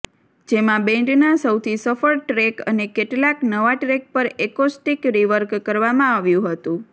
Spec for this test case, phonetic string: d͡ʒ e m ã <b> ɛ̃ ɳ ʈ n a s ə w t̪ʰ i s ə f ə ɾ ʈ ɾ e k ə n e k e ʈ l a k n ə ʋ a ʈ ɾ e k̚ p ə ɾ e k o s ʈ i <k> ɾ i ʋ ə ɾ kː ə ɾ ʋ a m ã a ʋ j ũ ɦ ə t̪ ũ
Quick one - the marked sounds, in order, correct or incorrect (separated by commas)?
correct, correct